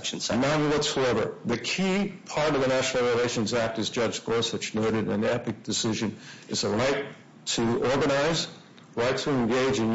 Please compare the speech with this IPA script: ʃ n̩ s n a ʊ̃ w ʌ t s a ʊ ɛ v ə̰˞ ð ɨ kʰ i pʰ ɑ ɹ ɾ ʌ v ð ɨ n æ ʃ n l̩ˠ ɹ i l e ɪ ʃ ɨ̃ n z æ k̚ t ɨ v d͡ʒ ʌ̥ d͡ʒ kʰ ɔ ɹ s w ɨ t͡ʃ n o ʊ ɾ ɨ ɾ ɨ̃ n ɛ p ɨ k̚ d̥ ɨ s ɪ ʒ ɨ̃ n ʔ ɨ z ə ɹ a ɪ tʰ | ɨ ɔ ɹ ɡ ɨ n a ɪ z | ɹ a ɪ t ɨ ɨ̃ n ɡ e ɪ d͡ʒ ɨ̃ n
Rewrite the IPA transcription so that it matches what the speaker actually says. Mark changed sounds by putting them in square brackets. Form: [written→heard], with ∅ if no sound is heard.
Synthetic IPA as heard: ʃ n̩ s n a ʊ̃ w ʌ t s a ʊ ɛ v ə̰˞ ð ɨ kʰ i pʰ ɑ ɹ ɾ ʌ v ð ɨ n æ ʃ n l̩ˠ ɹ i l e ɪ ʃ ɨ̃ n z æ k̚ t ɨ [v→z] d͡ʒ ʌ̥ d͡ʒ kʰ ɔ ɹ s w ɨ t͡ʃ n o ʊ ɾ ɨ ɾ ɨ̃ n ɛ p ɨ k̚ d̥ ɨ s ɪ ʒ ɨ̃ n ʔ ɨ z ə ɹ a ɪ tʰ | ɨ ɔ ɹ ɡ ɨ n a ɪ z | ɹ a ɪ [t→tʰ] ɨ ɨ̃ n ɡ e ɪ d͡ʒ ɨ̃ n